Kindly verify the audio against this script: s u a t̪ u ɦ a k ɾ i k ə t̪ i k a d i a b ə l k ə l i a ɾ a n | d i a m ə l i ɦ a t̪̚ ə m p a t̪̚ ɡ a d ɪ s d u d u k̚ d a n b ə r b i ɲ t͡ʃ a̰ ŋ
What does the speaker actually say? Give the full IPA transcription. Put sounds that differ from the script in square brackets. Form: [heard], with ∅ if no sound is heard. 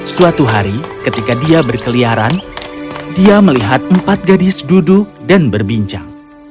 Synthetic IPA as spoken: s u a t̪ u ɦ a [∅] ɾ i k ə t̪ i k a d i a b ə [r] k ə l i a ɾ a n | d i a m ə l i ɦ a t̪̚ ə m p a t̪̚ ɡ a d ɪ s d u d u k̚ d a n b ə r b i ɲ t͡ʃ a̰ ŋ